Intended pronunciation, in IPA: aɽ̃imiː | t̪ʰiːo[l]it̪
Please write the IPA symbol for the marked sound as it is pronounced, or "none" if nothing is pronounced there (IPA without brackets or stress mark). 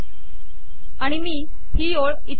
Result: ɭ